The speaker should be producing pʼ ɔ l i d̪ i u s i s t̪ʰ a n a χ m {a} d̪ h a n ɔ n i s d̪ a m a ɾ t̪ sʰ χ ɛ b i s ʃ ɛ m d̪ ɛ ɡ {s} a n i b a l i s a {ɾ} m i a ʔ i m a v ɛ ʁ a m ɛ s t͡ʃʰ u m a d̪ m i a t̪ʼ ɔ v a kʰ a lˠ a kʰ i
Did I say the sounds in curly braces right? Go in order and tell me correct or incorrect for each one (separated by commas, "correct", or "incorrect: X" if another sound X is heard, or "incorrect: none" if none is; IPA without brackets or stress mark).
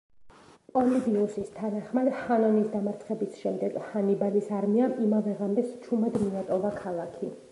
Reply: correct, incorrect: h, correct